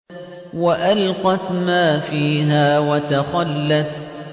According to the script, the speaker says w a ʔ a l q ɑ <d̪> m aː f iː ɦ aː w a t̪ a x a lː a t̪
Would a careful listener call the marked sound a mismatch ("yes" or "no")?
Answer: yes